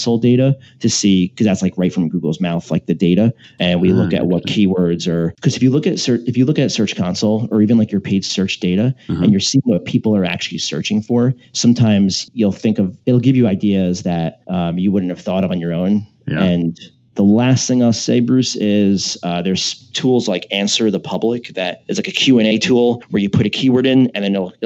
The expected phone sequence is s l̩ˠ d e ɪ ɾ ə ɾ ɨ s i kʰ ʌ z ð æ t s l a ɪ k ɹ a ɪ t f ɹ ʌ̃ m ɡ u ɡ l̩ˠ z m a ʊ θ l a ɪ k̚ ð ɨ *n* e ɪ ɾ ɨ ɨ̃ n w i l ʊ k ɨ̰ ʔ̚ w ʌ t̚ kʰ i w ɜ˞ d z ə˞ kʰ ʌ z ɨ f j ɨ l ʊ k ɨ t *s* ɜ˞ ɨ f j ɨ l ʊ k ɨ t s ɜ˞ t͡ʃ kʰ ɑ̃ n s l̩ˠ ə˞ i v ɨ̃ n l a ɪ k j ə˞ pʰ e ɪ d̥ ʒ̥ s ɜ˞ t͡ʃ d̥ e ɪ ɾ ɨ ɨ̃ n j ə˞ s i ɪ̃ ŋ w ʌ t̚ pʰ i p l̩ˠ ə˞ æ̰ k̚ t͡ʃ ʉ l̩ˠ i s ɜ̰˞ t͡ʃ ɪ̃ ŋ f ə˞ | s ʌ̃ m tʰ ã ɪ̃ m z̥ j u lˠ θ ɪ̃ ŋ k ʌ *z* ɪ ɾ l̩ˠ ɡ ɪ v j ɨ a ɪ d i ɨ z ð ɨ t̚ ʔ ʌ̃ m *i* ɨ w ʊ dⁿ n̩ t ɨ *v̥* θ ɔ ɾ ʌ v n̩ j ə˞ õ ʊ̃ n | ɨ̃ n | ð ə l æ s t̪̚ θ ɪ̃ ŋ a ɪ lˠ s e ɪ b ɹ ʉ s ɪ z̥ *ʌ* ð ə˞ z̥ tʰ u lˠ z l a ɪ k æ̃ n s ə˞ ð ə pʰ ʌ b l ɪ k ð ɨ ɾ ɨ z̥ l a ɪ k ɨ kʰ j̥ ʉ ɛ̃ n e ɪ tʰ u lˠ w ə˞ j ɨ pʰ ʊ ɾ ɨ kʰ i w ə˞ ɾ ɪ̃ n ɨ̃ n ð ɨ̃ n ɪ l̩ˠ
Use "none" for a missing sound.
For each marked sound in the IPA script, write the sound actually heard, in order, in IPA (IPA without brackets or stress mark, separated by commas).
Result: d, s, v, j, v̥, ʌ